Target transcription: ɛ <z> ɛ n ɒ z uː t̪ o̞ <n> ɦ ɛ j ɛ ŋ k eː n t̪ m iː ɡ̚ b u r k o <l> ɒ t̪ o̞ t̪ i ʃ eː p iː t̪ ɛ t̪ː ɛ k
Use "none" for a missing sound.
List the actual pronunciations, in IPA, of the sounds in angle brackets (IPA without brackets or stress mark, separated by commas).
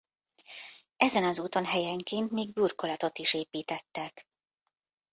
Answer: z, n, l